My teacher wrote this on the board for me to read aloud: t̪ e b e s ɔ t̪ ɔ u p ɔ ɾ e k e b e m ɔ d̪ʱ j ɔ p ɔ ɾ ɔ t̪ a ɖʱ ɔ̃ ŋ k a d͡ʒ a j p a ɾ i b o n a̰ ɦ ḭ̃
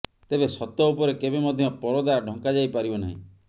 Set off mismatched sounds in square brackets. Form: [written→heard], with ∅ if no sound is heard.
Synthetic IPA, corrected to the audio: t̪ e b e s ɔ t̪ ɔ u p ɔ ɾ e k e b e m ɔ d̪ʱ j ɔ p ɔ ɾ ɔ [t̪→d̪] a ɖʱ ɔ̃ ŋ k a d͡ʒ a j p a ɾ i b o n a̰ ɦ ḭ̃